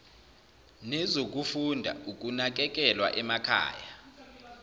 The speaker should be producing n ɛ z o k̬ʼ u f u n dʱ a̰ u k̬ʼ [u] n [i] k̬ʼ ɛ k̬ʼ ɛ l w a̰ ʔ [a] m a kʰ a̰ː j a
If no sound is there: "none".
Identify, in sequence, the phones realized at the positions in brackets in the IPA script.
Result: u, a, ɛ

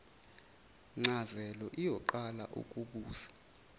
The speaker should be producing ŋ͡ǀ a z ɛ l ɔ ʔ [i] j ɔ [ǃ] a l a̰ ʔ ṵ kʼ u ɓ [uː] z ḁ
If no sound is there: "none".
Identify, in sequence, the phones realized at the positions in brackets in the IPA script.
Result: i, ǃ, uː

